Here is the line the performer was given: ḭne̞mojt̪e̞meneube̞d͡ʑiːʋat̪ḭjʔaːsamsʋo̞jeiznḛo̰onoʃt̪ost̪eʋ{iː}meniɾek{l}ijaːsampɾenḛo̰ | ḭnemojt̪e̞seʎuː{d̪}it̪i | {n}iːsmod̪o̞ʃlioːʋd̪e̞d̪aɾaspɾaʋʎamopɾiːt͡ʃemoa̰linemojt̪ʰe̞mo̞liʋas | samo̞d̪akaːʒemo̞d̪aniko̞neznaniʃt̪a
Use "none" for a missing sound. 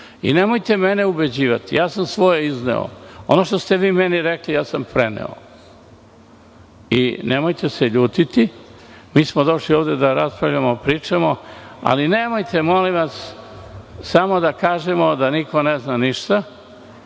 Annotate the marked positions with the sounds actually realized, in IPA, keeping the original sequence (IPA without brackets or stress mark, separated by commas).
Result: iː, l, t̪, m